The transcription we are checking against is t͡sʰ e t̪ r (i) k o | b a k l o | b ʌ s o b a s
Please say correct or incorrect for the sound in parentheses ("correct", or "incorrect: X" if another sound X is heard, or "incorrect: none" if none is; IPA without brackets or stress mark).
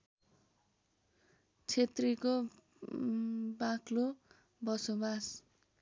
correct